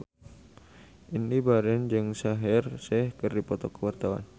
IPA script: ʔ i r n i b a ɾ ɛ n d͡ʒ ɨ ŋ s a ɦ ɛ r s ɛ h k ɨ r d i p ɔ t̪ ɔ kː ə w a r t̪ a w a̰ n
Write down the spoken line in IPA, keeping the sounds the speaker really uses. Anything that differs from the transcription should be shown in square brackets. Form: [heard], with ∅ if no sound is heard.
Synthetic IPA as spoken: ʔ i [∅] n i b a ɾ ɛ n d͡ʒ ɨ ŋ s a ɦ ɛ r s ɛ h k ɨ r d i p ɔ t̪ ɔ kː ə w a r t̪ a w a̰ n